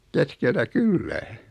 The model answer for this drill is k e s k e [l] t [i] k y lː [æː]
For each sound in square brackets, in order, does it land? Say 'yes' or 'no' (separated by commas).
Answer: yes, no, yes